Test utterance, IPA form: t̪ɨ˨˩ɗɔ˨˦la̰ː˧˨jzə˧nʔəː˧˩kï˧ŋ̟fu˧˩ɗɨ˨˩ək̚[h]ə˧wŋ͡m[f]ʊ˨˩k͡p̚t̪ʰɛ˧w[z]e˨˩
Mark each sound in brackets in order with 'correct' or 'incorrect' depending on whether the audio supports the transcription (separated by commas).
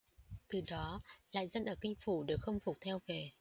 incorrect, correct, incorrect